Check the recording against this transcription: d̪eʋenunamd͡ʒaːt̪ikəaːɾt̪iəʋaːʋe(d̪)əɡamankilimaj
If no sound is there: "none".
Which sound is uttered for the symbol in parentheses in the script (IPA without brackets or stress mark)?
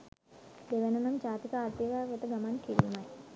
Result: t̪